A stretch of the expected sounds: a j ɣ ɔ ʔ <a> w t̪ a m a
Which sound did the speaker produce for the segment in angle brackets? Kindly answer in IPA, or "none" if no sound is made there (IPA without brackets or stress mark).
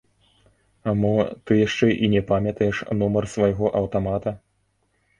ɐ